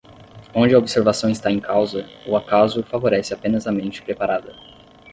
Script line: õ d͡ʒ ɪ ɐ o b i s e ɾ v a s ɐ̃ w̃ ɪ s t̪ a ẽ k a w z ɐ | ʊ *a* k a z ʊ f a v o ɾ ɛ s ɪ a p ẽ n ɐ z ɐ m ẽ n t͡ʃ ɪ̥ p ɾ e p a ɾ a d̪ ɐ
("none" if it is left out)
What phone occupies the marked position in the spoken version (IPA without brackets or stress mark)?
a